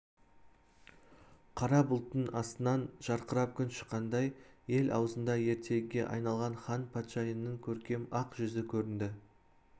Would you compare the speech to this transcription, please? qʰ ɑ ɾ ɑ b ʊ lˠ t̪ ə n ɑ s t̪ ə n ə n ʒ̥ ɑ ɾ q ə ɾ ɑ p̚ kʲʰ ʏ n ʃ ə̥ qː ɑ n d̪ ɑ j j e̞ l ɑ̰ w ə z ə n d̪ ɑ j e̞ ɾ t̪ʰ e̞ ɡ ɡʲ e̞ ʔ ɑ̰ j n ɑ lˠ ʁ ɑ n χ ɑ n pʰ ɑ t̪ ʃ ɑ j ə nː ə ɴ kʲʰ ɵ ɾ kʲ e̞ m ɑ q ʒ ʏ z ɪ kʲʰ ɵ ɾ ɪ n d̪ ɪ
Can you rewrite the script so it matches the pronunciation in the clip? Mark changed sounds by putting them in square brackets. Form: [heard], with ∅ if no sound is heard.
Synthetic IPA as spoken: qʰ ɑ ɾ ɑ b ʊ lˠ t̪ ə n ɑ s t̪ ə n [ɑ] n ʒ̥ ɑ ɾ q ə ɾ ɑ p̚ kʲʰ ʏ n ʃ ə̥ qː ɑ n d̪ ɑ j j e̞ l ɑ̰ w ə z ə n d̪ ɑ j e̞ ɾ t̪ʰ e̞ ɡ ɡʲ e̞ ʔ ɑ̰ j n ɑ lˠ ʁ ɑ n χ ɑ n pʰ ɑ t̪ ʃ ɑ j ə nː ə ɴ kʲʰ ɵ ɾ kʲ e̞ m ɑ q ʒ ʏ z ɪ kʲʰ ɵ ɾ ɪ n d̪ ɪ